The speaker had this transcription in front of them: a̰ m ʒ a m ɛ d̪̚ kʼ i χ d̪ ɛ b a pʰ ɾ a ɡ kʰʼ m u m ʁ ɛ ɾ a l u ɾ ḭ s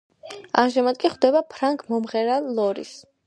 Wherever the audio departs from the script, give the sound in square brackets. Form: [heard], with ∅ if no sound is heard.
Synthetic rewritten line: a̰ m ʒ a m [a] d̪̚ kʼ i χ d̪ ɛ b a pʰ ɾ a [ŋ] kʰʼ m [ɔ] m ʁ ɛ ɾ a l [ɔ] ɾ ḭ s